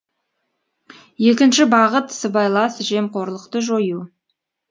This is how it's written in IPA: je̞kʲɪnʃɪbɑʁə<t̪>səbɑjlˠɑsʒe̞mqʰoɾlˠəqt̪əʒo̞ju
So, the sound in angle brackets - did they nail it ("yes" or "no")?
yes